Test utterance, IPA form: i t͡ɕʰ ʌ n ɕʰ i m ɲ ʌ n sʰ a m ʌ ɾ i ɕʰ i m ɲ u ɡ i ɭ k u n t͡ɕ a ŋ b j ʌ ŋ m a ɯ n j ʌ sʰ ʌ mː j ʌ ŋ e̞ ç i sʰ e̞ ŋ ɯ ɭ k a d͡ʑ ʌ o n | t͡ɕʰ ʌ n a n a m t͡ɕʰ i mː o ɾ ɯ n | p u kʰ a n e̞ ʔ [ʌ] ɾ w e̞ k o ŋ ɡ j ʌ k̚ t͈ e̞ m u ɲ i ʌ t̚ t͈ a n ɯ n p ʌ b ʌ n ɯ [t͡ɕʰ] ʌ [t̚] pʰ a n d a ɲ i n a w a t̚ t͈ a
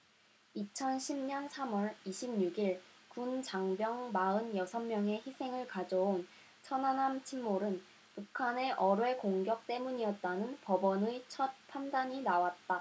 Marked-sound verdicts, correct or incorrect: correct, correct, correct

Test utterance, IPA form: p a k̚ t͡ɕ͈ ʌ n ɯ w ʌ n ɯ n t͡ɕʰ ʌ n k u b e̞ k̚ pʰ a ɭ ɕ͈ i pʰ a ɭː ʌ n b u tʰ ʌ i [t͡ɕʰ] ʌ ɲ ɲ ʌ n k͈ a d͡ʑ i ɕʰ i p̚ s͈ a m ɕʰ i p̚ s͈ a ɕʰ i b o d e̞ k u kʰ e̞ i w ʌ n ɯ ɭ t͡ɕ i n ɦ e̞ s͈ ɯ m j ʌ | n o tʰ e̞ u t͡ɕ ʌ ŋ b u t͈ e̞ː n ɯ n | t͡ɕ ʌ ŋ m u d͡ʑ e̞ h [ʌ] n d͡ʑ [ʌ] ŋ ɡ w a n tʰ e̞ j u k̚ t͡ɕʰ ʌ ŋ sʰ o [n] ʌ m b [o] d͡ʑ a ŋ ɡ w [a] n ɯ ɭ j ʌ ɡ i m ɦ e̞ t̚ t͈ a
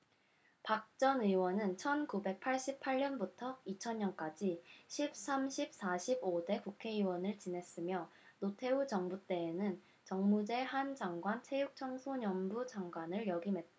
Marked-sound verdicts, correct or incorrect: correct, incorrect: a, incorrect: a, incorrect: ɲ, incorrect: u, correct

